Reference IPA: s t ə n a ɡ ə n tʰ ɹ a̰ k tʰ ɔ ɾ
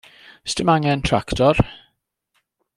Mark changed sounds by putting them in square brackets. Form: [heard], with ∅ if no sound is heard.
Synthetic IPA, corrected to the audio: s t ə [m] a [ŋ] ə n tʰ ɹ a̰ k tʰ ɔ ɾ